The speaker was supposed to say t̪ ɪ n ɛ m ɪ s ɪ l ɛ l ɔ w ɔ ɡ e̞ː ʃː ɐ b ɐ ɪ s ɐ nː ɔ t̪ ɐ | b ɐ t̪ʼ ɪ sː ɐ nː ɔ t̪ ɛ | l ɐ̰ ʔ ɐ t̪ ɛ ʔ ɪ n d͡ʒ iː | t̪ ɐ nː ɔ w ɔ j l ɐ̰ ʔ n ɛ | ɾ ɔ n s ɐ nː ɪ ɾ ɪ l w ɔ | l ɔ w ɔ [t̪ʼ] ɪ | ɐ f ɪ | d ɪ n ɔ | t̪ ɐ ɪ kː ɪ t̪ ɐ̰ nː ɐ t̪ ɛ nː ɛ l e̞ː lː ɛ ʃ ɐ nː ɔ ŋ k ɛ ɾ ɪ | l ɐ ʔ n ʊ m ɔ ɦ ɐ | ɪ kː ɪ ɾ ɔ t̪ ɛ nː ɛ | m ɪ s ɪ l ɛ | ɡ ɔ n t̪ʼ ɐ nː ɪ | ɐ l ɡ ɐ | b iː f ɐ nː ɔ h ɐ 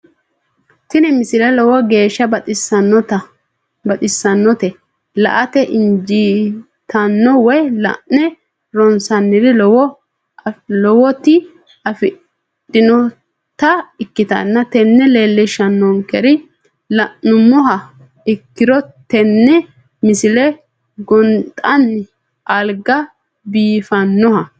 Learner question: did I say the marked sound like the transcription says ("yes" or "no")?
no